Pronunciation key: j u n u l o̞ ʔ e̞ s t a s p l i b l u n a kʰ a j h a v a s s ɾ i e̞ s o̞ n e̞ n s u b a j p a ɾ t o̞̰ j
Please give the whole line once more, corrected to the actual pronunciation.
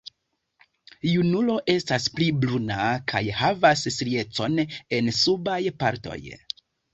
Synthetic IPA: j u n u l o̞ ʔ e̞ s t a s p l i b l u n a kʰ a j h a v a s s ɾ i e̞ t͡s o̞ n e̞ n s u b a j p a ɾ t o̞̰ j